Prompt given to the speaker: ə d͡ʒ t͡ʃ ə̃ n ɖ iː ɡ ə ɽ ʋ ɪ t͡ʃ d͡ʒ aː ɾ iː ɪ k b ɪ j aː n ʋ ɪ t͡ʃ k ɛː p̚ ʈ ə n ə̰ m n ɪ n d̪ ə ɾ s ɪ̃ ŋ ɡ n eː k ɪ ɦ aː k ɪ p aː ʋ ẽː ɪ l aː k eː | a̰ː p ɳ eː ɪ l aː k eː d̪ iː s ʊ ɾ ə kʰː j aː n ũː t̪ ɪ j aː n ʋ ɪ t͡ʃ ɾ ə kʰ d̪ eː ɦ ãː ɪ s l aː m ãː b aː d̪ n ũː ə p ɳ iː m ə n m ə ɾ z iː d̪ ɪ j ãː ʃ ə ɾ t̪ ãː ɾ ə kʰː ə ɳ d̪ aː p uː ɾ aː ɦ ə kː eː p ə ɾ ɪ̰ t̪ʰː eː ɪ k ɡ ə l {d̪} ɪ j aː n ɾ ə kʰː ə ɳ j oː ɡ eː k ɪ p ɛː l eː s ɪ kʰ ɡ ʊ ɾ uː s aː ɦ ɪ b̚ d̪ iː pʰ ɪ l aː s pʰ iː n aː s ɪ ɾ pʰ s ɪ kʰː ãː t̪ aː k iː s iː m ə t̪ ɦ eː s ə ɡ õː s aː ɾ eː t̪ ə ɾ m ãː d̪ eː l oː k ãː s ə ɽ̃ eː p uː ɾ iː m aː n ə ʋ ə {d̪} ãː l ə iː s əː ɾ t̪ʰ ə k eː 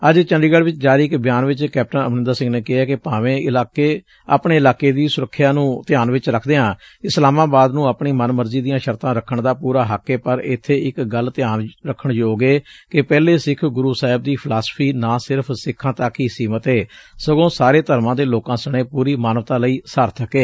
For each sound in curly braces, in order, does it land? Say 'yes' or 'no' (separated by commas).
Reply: no, no